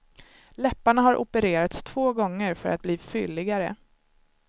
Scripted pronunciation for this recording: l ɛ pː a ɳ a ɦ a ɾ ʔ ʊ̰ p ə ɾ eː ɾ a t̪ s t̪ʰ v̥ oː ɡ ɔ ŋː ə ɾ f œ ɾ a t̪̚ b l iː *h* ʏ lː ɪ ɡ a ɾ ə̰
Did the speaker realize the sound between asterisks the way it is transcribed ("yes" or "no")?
no